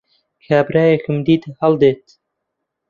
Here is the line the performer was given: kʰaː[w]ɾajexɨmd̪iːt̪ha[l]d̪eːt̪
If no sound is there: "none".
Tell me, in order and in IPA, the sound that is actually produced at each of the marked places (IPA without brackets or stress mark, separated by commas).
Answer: b, l